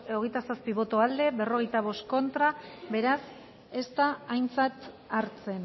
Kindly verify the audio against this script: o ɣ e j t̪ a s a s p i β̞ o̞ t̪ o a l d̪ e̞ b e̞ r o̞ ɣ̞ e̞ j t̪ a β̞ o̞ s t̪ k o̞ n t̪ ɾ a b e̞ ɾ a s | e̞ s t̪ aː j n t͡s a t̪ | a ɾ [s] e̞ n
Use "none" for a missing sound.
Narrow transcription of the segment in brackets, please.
t͡s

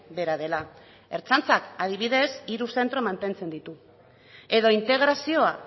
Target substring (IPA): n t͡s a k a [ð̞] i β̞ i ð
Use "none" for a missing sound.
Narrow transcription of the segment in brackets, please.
ð̞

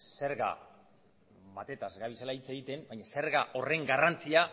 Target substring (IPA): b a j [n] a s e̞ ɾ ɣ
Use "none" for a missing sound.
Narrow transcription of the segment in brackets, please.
ɲ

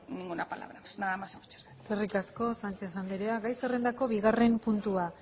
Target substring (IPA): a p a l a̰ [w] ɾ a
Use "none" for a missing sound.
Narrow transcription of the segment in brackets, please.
β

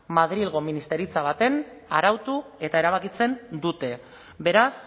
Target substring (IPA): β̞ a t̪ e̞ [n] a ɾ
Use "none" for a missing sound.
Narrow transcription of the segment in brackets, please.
n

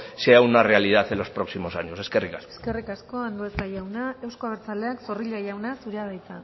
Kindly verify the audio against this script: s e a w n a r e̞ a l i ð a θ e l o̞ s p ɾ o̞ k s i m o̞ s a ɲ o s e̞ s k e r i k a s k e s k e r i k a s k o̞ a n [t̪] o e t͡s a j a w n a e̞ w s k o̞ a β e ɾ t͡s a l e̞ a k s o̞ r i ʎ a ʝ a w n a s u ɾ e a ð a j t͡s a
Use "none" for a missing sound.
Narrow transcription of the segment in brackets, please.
d̪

